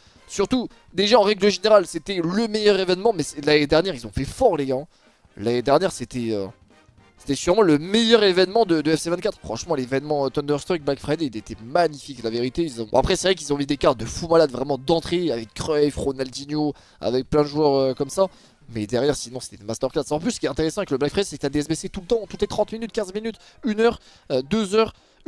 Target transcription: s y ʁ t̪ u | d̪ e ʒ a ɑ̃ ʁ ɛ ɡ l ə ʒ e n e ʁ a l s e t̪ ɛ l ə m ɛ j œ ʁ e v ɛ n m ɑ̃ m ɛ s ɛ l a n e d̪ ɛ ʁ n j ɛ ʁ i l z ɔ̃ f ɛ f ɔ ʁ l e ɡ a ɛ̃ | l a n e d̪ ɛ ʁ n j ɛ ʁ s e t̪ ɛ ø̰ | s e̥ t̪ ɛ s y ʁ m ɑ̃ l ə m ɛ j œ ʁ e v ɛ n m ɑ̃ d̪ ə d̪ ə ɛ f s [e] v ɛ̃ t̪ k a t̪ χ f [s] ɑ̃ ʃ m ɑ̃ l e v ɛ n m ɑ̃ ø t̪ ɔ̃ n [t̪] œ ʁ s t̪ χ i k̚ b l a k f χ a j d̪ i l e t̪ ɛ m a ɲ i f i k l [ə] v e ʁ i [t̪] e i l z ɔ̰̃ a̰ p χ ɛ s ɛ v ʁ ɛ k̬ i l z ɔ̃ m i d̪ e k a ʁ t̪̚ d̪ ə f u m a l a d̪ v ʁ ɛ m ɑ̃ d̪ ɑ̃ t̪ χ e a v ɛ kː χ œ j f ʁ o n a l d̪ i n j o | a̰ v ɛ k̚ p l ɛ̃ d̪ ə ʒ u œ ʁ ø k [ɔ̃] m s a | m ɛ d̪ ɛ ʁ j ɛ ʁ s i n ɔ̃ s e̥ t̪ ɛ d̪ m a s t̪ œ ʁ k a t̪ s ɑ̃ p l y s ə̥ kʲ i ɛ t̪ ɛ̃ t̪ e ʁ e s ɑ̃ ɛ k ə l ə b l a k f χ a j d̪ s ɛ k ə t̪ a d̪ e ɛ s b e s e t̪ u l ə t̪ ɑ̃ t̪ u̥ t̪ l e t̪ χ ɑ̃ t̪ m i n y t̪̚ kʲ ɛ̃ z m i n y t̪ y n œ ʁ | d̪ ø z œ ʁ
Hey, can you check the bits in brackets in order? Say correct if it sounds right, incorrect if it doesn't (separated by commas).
correct, incorrect, incorrect, incorrect, correct, incorrect